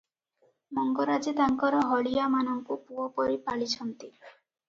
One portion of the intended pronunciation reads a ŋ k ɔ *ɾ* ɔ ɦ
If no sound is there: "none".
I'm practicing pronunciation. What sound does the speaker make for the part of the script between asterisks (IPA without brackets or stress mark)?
ɾ